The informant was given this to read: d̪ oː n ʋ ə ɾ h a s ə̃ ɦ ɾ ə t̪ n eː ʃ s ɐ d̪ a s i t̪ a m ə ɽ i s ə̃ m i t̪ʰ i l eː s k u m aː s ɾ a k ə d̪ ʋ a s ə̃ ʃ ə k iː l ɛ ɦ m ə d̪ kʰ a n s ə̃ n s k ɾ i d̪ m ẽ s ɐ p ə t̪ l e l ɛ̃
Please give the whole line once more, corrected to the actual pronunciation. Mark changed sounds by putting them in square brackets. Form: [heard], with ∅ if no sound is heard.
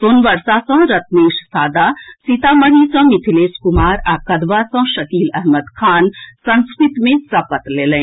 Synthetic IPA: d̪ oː n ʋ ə ɾ [s] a s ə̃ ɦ ɾ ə t̪ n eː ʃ s [a] d̪ a s i t̪ a m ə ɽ i s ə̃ m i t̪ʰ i l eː s k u m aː [∅] ɾ a k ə d̪ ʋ a s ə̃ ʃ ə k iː l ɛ ɦ m ə d̪ kʰ a n s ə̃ n s k ɾ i [t̪] m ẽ s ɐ p ə t̪ l e l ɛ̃